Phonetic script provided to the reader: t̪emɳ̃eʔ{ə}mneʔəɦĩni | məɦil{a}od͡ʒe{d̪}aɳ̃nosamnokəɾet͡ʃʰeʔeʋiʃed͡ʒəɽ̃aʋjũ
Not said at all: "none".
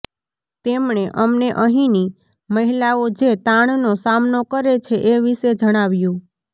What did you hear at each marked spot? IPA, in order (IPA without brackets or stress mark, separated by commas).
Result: ə, a, t̪